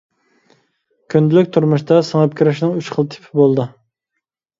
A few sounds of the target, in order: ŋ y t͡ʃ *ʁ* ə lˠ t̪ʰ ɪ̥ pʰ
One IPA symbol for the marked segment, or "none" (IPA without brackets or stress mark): χ